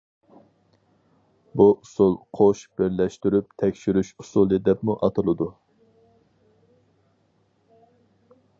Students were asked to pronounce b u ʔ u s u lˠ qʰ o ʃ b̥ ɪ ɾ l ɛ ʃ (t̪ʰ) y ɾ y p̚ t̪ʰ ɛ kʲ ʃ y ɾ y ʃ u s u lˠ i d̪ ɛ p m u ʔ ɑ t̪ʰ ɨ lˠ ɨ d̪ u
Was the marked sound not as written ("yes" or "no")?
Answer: yes